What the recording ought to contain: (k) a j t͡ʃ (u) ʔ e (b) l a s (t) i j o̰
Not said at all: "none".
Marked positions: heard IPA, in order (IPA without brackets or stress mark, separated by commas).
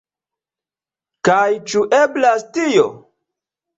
k, u, b, t